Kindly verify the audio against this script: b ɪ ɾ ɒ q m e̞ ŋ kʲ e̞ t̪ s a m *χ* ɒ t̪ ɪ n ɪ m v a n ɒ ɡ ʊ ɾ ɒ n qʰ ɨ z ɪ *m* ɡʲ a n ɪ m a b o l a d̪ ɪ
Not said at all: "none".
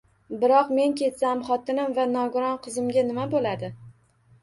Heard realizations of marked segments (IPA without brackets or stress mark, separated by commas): χ, m